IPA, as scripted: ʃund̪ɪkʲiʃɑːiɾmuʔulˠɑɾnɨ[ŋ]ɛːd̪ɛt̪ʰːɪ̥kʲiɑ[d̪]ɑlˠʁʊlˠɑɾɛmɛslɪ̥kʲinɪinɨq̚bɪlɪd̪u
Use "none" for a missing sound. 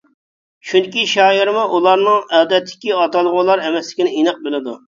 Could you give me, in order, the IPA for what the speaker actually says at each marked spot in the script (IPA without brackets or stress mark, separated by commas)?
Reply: ŋ, t̪